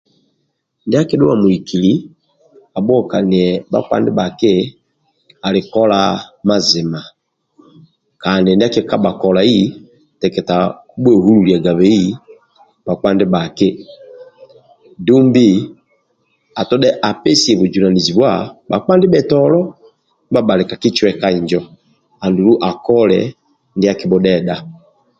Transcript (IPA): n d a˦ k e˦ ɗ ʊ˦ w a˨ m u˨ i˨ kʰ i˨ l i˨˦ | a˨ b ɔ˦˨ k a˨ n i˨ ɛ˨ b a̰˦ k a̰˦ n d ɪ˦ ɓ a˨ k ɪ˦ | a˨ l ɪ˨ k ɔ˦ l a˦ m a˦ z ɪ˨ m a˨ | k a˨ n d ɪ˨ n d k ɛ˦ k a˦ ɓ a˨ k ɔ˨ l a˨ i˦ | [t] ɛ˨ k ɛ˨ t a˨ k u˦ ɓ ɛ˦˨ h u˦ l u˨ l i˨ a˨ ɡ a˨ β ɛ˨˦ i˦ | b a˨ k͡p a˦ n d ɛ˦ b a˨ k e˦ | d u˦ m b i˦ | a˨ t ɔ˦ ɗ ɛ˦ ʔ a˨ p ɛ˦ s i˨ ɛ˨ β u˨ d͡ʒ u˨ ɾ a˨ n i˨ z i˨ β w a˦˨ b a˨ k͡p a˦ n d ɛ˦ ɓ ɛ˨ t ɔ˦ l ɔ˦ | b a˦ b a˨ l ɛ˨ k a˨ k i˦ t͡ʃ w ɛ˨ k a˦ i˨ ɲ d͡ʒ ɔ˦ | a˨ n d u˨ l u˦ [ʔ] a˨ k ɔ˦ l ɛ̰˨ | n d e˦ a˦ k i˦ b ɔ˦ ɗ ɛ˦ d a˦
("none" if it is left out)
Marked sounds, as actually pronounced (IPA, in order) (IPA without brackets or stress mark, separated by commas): t, ʔ